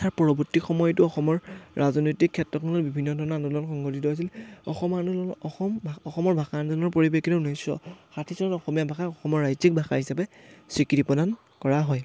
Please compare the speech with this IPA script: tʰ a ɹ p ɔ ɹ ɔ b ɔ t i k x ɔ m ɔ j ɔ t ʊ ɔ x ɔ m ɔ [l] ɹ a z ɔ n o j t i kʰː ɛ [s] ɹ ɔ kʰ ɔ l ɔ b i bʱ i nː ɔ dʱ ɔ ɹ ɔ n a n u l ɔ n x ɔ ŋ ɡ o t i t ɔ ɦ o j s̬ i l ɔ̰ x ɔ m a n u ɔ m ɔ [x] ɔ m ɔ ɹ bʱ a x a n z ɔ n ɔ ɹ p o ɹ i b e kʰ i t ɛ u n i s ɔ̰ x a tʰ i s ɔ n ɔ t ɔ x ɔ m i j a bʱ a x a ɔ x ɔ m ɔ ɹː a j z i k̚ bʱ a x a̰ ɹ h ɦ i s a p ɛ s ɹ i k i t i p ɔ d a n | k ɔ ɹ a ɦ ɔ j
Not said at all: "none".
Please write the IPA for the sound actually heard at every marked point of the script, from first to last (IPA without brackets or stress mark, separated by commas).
ɹ, t, x